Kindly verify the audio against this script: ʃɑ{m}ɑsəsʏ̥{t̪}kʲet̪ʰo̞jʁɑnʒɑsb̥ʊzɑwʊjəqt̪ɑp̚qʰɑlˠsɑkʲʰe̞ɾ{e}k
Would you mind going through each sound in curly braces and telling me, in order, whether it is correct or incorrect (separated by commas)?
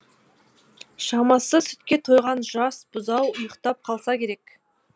correct, correct, correct